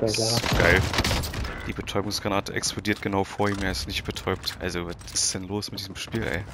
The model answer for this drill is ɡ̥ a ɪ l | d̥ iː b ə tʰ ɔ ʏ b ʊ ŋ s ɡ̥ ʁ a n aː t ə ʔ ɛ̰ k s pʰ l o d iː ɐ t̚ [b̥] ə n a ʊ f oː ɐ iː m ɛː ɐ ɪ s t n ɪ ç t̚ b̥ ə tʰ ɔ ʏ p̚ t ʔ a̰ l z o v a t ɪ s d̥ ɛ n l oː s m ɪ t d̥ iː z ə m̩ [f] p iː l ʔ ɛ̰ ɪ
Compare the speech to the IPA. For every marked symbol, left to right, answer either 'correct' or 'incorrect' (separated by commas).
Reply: incorrect, incorrect